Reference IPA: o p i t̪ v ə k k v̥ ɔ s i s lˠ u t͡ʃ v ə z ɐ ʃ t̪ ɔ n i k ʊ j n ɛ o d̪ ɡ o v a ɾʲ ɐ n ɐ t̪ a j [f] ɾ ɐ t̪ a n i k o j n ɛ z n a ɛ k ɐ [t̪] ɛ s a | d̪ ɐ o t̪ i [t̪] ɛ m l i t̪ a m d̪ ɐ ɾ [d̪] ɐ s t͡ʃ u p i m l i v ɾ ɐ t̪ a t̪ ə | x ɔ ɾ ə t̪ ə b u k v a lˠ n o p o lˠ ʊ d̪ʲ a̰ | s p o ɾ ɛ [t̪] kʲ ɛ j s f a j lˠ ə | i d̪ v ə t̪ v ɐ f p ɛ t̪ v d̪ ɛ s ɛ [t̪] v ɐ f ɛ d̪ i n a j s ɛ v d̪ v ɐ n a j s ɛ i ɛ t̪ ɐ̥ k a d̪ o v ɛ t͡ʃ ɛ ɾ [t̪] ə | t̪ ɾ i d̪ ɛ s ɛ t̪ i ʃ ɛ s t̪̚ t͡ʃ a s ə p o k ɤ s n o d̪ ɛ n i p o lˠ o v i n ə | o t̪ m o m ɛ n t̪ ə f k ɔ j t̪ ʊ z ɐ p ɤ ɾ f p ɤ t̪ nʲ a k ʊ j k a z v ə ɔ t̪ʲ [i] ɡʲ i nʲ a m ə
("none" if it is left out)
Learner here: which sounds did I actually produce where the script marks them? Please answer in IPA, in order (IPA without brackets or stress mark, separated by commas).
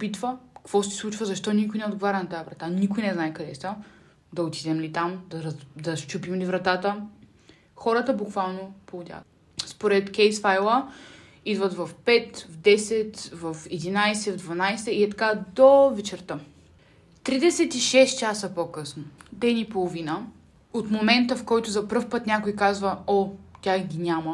v, d̪, d̪, d̪, t̪, t̪, t̪, a